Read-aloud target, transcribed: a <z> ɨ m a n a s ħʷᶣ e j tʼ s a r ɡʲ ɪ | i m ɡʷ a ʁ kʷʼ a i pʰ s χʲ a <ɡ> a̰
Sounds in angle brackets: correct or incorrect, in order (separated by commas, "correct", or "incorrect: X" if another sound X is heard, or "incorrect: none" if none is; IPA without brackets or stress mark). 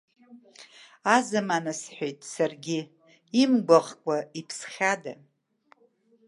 correct, incorrect: d